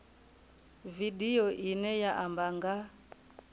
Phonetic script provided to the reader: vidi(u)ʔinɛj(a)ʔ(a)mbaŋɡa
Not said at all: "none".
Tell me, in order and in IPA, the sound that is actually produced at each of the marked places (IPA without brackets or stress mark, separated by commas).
ɔ, a, a